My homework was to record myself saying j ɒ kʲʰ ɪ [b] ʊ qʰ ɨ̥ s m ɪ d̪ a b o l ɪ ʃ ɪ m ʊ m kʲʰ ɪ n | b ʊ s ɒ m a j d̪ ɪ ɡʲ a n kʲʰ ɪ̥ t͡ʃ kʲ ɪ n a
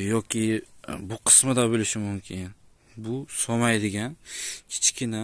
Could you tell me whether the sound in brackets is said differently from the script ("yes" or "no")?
no